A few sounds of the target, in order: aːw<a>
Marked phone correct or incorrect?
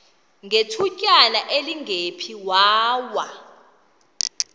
correct